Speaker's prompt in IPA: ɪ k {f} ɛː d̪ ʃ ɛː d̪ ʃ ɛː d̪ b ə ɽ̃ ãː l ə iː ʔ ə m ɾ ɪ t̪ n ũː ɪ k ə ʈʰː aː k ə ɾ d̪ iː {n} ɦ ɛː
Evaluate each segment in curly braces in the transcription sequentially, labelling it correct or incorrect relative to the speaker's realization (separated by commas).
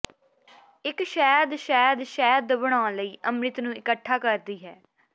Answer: incorrect, incorrect